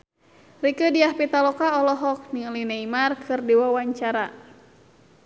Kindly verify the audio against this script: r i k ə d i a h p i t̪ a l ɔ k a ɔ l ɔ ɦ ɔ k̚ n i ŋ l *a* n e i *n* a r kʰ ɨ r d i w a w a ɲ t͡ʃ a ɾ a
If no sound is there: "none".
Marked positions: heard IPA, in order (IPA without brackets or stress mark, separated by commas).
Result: i, m